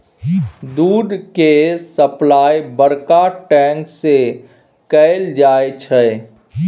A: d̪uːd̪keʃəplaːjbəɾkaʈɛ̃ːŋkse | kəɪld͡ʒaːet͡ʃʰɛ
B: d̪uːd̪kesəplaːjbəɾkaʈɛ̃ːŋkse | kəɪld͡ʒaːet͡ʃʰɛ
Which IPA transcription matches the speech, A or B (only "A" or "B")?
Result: B